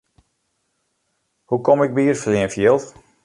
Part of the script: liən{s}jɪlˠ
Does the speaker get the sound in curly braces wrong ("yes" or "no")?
yes